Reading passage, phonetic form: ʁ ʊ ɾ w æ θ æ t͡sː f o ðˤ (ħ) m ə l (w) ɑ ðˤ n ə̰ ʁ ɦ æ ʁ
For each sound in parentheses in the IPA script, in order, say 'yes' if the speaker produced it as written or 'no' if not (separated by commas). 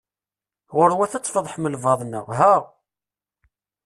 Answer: yes, no